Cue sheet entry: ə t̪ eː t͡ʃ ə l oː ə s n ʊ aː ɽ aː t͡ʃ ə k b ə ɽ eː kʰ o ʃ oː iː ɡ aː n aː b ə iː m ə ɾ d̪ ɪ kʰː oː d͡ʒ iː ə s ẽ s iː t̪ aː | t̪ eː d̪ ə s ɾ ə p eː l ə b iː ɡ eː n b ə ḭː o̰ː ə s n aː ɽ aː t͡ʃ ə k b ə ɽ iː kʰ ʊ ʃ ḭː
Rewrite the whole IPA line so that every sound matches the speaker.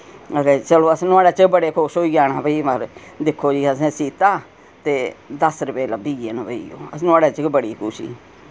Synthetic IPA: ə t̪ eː t͡ʃ ə l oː ə s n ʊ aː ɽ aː t͡ʃ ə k b ə ɽ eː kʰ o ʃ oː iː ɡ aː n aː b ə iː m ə ɾ d̪ ɪ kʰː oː d͡ʒ iː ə s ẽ s iː t̪ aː | t̪ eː d̪ ə s ɾ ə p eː l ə b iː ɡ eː n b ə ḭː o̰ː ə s n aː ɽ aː t͡ʃ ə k b ə ɽ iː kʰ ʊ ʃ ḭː